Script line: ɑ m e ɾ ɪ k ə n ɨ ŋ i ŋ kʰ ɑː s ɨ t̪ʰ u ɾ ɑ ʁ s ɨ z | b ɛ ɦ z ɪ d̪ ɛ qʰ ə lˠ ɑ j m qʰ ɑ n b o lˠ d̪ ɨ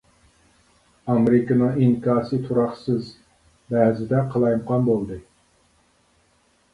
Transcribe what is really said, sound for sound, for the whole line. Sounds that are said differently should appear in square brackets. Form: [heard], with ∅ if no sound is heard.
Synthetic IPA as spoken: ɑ m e ɾ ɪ k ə n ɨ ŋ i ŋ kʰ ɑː s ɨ t̪ʰ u ɾ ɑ [χ] s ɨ z | b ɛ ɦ z ɪ d̪ ɛ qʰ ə lˠ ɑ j m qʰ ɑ n b o lˠ d̪ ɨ